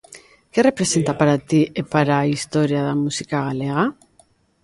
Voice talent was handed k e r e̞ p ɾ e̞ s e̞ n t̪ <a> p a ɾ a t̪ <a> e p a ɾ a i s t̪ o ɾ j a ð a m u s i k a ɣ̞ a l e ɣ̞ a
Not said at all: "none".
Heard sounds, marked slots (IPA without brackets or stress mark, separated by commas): a, i